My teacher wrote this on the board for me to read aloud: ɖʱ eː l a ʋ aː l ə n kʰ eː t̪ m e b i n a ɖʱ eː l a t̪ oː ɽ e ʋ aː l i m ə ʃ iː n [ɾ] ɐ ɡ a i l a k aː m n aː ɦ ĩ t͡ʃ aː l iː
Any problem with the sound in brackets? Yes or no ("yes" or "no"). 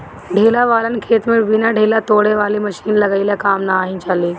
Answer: yes